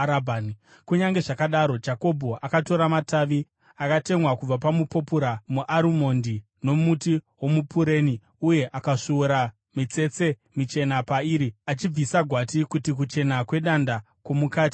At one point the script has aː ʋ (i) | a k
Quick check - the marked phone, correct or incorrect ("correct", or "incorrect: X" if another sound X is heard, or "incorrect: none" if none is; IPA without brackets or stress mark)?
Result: correct